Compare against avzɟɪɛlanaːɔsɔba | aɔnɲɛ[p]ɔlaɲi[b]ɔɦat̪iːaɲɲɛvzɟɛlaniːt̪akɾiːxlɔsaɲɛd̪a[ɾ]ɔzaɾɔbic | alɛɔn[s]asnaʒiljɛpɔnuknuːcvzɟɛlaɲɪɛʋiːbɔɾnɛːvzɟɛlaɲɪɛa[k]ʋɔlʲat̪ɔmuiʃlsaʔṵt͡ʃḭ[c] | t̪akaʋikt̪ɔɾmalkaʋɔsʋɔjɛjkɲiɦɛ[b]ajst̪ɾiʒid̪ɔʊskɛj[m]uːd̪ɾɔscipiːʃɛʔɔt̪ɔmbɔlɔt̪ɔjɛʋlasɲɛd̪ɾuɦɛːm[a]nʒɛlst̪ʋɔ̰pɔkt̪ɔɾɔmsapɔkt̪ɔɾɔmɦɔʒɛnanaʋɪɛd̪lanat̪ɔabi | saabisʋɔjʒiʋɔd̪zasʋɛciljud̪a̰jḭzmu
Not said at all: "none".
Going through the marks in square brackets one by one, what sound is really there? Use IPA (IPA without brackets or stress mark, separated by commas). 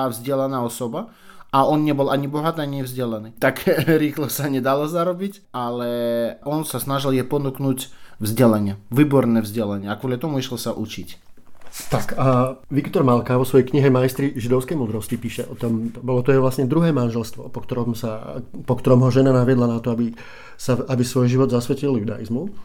b, b, l, s, k, c, m, m, a